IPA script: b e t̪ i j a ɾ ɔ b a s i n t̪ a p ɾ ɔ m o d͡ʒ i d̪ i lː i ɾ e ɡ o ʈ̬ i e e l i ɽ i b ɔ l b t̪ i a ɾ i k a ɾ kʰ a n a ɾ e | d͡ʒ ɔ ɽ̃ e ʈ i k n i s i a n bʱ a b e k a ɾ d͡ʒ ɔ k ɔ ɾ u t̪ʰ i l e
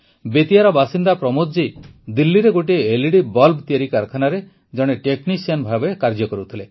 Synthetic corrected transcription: b e t̪ i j a ɾ ɔ b a s i n d̪ a p ɾ ɔ m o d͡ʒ i d̪ i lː i ɾ e ɡ o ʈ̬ i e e l i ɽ i b ɔ l b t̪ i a ɾ i k a ɾ kʰ a n a ɾ e | d͡ʒ ɔ ɽ̃ e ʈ e k n i s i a n bʱ a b e k a ɾ d͡ʒ ɔ k ɔ ɾ u t̪ʰ i l e